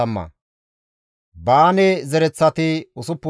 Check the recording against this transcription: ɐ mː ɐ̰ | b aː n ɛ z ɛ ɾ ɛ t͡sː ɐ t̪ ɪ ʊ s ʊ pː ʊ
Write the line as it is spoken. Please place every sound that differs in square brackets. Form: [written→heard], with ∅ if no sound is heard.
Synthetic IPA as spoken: ɐ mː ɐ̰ | b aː n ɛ z ɛ ɾ ɛ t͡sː ɐ t̪ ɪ ʊ s ʊ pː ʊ